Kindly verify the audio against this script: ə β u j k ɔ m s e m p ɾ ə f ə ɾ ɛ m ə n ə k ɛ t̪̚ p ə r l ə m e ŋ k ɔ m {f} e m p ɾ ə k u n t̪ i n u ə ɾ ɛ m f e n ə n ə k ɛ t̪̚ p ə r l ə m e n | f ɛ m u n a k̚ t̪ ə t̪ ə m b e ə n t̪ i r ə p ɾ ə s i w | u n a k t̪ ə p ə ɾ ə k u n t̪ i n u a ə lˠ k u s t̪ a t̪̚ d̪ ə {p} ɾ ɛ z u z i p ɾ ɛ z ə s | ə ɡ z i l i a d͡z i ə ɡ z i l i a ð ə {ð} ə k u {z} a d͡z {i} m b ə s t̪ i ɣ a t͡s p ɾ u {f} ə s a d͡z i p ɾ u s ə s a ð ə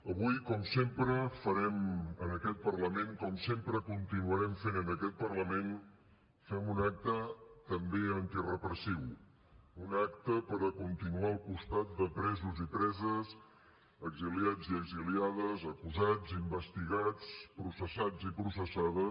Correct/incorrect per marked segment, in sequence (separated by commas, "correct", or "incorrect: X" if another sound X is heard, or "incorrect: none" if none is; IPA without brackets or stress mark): incorrect: s, correct, incorrect: z, correct, correct, incorrect: s